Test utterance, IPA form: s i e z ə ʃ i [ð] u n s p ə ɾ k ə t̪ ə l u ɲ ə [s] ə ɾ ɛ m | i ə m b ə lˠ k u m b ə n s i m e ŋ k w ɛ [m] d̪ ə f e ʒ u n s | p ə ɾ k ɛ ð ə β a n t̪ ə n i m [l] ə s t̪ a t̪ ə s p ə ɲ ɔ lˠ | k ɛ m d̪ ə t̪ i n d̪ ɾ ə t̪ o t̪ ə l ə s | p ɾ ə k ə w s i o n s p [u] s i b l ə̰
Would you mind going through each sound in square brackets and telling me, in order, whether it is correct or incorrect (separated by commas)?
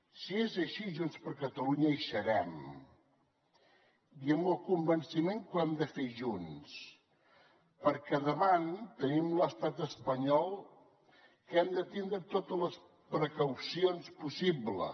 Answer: incorrect, incorrect, correct, correct, correct